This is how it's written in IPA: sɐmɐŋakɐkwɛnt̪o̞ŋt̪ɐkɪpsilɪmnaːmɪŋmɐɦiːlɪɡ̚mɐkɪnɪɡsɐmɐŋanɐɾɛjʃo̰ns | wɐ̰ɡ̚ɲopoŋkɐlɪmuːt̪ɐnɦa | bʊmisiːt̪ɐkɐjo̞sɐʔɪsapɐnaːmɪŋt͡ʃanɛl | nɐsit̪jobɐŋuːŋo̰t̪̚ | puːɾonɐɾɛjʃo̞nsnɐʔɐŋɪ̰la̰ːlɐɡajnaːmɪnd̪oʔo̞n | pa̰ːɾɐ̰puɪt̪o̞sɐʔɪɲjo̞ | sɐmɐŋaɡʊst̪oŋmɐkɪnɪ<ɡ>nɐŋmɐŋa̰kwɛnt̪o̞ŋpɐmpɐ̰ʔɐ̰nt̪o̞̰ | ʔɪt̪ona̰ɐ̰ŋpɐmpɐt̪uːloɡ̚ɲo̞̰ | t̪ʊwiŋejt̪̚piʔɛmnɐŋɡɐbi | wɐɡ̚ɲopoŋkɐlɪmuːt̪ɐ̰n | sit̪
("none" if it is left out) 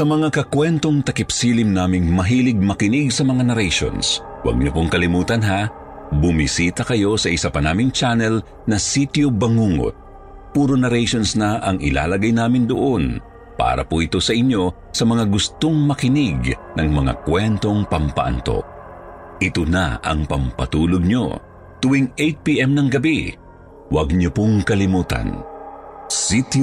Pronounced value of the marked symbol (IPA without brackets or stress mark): ɡ